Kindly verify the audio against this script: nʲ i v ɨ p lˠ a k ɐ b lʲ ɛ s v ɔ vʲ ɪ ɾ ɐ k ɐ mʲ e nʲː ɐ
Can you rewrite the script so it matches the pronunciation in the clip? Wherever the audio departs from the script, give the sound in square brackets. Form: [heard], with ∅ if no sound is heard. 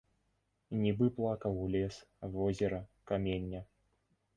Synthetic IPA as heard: nʲ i [b] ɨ p lˠ a k ɐ [w] lʲ ɛ s v ɔ [zʲ] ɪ ɾ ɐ k [a] mʲ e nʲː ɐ